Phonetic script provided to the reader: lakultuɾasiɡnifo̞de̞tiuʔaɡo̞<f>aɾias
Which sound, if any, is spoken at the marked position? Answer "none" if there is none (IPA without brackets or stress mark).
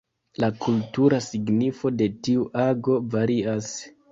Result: v